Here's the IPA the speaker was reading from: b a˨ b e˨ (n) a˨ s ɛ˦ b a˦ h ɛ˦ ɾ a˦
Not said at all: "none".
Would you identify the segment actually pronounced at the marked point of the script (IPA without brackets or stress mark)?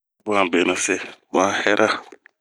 n